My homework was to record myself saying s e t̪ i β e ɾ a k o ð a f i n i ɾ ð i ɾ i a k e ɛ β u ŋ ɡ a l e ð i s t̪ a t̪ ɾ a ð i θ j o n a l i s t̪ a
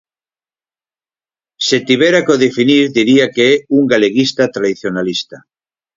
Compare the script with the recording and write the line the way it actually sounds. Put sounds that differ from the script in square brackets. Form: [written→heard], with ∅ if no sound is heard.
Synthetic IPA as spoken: s e t̪ i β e ɾ a k o ð [a→e] f i n i ɾ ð i ɾ i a k e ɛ [β→∅] u ŋ ɡ a l e [ð→ɣ] i s t̪ a t̪ ɾ a ð i θ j o n a l i s t̪ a